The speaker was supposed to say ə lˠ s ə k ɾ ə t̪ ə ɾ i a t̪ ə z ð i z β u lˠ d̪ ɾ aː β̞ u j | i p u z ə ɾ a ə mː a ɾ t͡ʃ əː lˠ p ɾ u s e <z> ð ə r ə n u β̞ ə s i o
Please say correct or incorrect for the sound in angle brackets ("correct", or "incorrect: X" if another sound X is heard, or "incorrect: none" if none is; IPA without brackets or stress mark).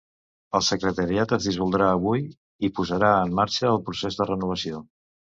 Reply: correct